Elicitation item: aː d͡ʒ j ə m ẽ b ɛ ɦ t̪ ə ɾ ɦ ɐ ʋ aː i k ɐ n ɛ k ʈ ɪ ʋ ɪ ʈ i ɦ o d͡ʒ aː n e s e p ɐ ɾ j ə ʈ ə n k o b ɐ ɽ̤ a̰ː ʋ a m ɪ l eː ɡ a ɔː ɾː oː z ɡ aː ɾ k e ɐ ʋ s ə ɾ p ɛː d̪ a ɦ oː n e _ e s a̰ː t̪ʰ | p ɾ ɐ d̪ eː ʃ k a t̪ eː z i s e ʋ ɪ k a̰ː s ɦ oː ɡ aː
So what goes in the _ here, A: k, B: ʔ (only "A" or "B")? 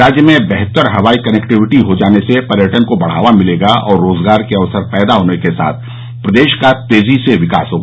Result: A